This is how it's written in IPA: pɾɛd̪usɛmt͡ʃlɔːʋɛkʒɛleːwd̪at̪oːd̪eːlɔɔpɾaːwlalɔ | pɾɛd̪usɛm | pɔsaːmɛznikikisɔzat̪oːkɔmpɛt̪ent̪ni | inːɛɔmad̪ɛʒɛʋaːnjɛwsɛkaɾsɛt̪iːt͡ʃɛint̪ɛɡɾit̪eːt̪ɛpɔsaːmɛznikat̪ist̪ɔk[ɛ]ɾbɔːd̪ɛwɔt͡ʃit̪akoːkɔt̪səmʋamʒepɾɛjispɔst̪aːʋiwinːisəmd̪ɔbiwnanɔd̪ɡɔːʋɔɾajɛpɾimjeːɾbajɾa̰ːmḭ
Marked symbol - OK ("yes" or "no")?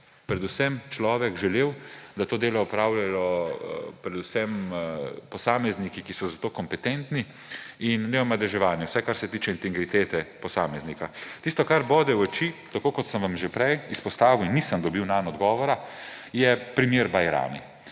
no